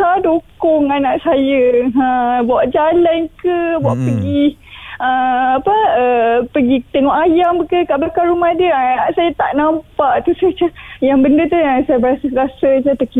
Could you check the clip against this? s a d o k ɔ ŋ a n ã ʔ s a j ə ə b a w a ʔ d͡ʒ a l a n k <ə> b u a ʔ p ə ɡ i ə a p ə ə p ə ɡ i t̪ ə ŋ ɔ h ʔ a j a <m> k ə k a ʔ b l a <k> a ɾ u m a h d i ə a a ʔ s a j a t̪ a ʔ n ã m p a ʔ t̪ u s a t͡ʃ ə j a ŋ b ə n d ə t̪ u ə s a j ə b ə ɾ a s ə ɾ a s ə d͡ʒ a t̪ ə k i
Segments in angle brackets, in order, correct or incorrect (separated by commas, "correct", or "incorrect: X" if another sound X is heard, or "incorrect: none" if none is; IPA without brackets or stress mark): correct, correct, correct